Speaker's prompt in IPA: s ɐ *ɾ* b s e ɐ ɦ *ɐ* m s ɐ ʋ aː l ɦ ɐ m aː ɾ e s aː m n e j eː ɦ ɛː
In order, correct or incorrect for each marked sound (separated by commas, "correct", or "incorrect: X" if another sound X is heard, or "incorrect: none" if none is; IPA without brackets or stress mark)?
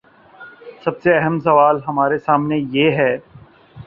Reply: incorrect: none, incorrect: ə